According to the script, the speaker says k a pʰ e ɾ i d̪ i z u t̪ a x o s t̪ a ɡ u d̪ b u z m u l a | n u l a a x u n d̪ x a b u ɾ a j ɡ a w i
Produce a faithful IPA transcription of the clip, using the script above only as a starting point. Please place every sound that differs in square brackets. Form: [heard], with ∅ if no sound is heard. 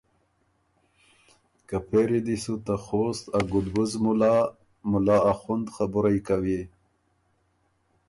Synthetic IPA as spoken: k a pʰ e ɾ i d̪ i [s] u t̪ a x o s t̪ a ɡ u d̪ b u z m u l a | [m] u l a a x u n d̪ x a b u ɾ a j [k] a w i